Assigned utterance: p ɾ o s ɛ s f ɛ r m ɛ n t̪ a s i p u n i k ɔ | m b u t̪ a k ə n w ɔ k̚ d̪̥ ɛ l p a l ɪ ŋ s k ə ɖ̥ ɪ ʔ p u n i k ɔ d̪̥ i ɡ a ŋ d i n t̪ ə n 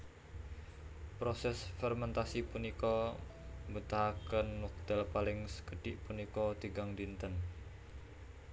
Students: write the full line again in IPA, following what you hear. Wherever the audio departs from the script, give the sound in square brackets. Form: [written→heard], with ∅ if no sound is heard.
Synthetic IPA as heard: p ɾ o s ɛ s f ɛ r m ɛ n t̪ a s i p u n i k ɔ | m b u t̪ a k ə n w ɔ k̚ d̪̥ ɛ l p a l ɪ ŋ s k ə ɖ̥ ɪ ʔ p u n i k ɔ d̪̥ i ɡ a ŋ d i n t̪ ə n